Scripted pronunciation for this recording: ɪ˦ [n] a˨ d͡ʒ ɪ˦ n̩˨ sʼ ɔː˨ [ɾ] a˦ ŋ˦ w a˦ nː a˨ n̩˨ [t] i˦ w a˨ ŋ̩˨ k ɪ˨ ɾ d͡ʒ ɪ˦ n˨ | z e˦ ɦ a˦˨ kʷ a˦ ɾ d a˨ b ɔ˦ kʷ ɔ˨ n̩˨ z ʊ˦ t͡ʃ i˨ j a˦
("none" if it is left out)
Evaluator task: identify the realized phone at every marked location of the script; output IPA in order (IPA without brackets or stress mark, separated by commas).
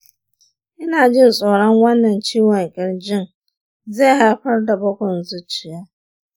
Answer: n, ɾ, t͡ʃ